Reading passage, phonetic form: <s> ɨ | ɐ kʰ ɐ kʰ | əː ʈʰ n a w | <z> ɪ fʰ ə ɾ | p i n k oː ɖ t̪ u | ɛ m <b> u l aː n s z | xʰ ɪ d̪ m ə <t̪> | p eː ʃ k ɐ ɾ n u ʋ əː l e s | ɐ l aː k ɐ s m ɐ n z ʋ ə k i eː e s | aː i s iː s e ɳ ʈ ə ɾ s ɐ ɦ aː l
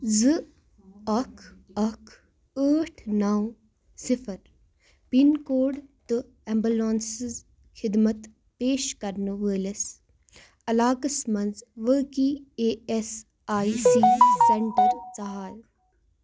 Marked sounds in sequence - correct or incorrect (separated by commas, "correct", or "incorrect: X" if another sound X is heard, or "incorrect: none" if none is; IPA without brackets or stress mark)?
incorrect: z, incorrect: s, correct, correct